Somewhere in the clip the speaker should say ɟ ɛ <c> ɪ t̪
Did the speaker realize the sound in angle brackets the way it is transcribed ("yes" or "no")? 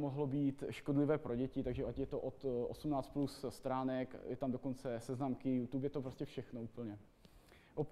yes